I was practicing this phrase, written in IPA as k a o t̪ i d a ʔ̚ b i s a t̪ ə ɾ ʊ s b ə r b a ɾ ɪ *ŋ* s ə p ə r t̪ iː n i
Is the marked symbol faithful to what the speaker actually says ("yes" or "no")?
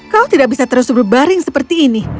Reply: yes